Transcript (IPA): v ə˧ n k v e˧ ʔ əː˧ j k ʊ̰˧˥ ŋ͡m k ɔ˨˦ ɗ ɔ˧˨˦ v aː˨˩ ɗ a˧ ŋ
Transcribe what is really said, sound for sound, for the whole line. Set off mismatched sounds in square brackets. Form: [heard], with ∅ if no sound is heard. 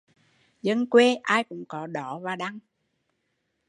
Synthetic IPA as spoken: [z] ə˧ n k [w] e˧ ʔ [aː˧] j k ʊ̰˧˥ ŋ͡m k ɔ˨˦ ɗ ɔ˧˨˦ v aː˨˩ ɗ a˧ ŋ